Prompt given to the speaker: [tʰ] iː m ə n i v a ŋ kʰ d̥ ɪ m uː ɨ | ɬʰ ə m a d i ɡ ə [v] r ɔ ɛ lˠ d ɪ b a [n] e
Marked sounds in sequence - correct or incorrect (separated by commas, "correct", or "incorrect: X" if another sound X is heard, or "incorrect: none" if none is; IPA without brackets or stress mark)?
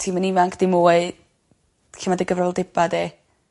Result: correct, correct, incorrect: d